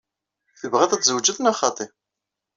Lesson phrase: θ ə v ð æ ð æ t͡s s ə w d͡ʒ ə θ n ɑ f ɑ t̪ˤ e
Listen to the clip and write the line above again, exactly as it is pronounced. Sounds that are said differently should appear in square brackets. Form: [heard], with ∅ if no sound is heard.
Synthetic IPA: θ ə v [ʁ] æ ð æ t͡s [z] ə w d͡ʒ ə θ n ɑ [χ] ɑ t̪ˤ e